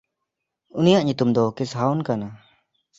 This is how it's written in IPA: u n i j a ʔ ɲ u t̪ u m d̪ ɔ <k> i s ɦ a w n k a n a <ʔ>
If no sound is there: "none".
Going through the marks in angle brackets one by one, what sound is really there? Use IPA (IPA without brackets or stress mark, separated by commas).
k, none